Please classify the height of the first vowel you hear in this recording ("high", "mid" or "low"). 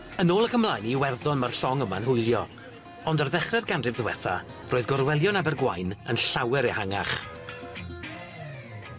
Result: mid